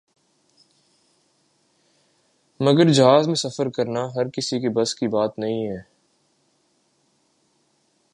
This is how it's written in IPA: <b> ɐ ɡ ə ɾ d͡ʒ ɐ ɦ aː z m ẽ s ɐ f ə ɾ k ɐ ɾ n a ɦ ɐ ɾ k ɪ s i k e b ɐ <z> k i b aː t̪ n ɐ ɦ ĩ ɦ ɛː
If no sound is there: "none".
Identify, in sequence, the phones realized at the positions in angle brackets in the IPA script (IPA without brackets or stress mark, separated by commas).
m, s